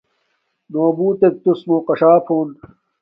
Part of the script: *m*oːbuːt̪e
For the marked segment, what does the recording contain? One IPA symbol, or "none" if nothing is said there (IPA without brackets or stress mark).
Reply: n